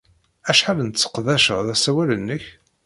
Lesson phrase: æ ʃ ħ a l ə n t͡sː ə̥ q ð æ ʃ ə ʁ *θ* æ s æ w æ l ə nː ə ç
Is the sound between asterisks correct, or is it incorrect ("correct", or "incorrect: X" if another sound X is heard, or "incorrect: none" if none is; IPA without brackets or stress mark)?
incorrect: ð